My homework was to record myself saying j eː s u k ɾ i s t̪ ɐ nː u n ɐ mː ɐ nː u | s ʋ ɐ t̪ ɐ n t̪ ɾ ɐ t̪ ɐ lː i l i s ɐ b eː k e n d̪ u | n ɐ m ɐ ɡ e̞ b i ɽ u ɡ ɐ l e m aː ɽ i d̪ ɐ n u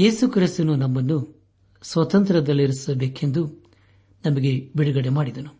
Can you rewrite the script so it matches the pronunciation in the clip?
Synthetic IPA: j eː s u k ɾ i s t̪ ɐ n u n ɐ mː ɐ nː u | s ʋ ɐ t̪ ɐ n t̪ ɾ ɐ d̪ ɐ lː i ɾ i s ɐ b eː k e n d̪ u | n ɐ m ɐ ɡ e̞ b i ɽ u ɡ ɐ ɽ e m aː ɽ i d̪ ɐ n u